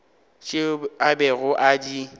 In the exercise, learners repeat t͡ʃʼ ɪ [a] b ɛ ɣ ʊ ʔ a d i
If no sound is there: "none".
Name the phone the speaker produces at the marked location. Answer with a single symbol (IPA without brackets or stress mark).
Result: a